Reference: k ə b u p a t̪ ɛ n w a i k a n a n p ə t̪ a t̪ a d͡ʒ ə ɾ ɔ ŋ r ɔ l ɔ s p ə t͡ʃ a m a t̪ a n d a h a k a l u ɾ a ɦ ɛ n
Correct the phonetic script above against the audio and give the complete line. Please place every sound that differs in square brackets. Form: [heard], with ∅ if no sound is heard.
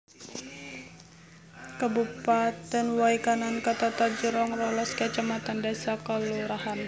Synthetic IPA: k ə b u p a t̪ ɛ n w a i k a n a n [k] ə t̪ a t̪ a d͡ʒ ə ɾ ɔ ŋ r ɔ l ɔ s [k] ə t͡ʃ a m a t̪ a n d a [s] a k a l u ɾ a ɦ [a] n